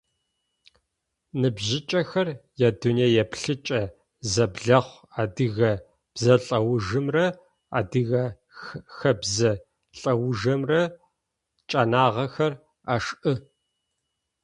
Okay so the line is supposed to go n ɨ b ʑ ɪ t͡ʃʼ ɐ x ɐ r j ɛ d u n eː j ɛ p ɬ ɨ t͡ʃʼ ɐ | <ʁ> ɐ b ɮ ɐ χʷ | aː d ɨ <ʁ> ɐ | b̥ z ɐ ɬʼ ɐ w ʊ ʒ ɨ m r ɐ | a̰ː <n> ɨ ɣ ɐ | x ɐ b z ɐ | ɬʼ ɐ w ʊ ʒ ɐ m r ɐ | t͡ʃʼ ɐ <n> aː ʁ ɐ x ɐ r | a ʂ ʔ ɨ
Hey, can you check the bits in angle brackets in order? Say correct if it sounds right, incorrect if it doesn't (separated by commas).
incorrect, incorrect, incorrect, correct